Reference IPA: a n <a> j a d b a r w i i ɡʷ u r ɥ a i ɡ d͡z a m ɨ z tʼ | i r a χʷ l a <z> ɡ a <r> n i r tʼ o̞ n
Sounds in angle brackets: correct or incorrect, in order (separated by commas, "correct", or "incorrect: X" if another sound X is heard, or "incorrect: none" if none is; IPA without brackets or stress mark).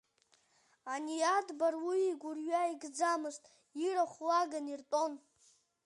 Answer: incorrect: i, incorrect: none, incorrect: none